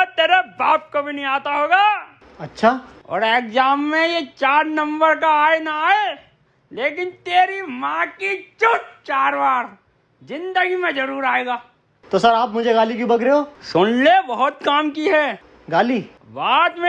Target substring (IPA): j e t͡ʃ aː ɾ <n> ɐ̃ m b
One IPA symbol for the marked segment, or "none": n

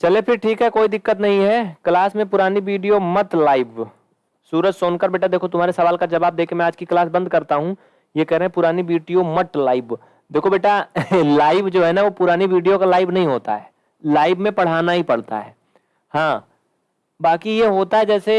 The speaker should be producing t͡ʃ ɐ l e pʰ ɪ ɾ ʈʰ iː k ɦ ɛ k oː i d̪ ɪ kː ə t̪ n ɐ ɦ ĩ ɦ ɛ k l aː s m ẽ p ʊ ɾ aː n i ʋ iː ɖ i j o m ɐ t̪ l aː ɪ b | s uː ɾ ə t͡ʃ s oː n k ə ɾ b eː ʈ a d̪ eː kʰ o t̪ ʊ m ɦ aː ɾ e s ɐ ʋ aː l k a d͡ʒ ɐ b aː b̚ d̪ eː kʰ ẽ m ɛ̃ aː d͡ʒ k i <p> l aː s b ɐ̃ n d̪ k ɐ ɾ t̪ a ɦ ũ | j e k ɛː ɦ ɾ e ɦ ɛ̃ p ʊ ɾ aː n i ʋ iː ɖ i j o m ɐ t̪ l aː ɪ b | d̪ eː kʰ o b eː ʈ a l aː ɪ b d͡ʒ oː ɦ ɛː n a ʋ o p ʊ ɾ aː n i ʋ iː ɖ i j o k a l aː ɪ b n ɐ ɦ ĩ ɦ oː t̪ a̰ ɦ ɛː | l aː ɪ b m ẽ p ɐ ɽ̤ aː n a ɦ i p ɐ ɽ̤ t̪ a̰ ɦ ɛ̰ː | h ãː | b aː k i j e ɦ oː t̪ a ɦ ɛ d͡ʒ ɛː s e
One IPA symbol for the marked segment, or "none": k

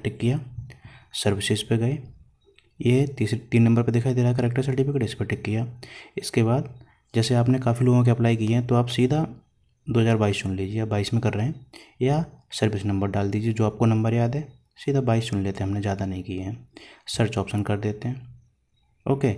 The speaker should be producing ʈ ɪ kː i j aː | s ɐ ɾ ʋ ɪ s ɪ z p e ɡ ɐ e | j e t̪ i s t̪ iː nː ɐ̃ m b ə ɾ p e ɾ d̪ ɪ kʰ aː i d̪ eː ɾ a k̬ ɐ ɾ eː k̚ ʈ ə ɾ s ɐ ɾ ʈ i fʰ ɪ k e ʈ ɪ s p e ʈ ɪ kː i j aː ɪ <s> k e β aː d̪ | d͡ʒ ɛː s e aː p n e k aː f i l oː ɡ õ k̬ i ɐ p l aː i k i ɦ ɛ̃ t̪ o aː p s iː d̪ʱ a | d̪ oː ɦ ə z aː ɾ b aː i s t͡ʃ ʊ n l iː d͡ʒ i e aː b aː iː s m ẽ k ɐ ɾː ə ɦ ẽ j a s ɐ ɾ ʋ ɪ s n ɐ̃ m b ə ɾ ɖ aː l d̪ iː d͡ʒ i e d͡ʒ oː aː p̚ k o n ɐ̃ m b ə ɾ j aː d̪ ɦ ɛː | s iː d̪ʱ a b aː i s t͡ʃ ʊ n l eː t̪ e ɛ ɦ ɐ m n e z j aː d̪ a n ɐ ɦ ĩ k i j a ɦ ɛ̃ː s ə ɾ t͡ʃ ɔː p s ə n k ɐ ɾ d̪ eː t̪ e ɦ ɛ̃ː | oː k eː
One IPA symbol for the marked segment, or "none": s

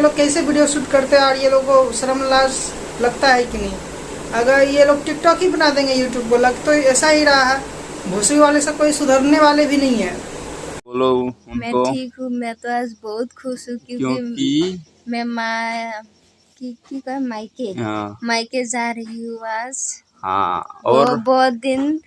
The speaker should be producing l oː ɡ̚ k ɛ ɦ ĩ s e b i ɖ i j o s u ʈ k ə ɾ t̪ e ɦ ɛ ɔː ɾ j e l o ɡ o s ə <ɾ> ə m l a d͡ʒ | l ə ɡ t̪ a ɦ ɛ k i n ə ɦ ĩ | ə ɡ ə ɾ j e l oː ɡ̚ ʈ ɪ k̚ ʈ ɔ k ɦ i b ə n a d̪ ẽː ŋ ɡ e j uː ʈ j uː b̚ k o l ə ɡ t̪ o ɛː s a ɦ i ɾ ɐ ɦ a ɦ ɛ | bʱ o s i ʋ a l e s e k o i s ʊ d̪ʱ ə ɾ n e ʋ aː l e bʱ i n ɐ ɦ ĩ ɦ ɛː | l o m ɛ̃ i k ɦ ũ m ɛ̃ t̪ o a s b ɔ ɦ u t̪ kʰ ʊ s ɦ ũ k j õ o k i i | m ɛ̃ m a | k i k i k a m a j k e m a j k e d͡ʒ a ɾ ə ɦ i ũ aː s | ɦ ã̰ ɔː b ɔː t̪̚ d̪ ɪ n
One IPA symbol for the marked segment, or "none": ɾ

